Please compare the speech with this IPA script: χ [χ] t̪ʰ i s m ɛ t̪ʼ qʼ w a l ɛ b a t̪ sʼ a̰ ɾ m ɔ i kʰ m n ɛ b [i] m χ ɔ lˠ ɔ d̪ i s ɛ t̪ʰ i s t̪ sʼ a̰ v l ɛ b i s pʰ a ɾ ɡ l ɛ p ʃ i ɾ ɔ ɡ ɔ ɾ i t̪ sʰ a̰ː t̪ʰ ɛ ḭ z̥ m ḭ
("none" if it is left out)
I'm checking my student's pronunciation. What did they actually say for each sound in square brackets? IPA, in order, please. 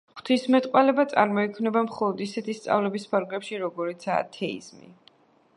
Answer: χ, a

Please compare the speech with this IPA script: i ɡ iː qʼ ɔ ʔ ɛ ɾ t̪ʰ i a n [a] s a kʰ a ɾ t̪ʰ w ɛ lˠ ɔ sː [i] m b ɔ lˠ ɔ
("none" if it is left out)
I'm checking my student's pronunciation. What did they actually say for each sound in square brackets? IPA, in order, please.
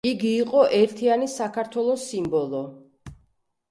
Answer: i, i

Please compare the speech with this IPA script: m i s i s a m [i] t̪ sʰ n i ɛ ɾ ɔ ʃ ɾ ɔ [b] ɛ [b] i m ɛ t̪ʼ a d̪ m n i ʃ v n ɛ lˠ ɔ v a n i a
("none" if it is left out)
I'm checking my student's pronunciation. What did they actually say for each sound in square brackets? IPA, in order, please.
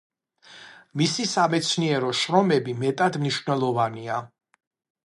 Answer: ɛ, m, b

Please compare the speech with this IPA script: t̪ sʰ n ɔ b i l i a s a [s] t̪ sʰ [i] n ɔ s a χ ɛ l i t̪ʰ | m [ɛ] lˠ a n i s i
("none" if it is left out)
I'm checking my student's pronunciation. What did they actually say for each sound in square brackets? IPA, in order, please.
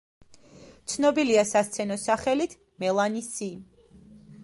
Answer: s, ɛ, ɛ

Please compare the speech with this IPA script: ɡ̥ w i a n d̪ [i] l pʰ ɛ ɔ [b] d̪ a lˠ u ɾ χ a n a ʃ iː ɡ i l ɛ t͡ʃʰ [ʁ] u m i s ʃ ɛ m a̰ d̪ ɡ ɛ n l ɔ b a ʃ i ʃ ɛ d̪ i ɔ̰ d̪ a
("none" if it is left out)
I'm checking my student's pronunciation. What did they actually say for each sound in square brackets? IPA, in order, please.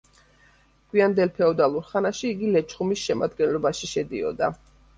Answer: ɛ, none, χ

